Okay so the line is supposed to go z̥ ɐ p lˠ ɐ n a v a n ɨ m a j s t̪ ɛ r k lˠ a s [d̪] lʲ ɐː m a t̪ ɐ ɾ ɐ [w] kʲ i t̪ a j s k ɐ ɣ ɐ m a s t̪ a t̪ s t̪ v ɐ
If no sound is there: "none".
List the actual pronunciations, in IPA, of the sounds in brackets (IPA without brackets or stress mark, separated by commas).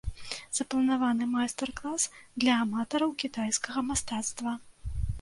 d̪, w